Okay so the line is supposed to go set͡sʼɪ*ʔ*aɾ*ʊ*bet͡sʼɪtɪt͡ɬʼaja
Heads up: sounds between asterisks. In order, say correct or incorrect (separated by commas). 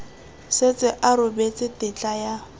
correct, correct